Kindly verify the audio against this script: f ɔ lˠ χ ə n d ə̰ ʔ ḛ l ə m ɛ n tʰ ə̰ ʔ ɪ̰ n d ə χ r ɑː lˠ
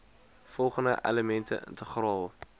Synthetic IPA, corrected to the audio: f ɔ lˠ χ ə n d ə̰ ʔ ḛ l ə m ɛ n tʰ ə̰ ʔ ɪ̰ n t ə χ r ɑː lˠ